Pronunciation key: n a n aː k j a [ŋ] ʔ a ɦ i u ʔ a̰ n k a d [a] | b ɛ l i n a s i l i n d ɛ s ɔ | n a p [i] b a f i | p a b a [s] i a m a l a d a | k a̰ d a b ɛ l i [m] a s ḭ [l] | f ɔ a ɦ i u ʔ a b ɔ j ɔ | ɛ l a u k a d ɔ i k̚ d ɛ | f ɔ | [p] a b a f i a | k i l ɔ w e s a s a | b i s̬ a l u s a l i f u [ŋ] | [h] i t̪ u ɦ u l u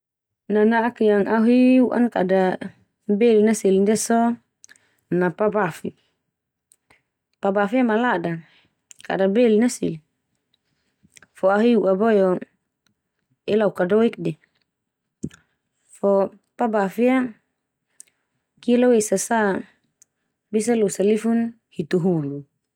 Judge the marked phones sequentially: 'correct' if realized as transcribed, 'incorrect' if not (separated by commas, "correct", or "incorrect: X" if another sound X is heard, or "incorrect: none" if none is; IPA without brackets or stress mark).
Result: correct, correct, incorrect: a, incorrect: f, incorrect: n, correct, correct, incorrect: n, correct